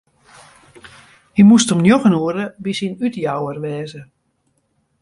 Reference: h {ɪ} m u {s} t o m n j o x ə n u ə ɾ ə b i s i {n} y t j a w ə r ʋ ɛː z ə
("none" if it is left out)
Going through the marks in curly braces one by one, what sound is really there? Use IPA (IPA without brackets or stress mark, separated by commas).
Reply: i, s, n